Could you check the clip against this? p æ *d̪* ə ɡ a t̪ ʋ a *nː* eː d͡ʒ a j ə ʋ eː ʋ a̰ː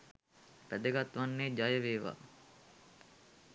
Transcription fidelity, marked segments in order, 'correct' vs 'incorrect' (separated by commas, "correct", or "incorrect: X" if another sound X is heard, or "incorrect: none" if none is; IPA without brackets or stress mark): correct, correct